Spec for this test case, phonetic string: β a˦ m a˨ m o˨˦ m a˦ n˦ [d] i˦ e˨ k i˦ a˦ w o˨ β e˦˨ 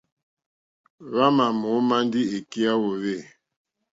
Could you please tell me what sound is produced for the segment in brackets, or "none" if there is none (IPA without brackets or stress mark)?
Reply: d